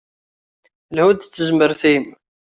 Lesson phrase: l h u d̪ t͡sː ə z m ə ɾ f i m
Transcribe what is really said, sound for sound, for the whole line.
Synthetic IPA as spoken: l h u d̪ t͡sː ə z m ə ɾ θ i m